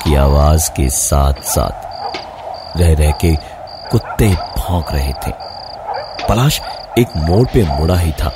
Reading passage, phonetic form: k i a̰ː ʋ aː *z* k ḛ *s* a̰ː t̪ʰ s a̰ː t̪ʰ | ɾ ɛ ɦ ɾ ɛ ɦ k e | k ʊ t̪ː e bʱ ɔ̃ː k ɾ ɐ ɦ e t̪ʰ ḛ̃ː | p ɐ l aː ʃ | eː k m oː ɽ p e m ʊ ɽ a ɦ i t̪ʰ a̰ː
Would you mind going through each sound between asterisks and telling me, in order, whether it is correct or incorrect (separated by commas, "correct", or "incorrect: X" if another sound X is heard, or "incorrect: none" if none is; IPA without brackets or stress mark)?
correct, correct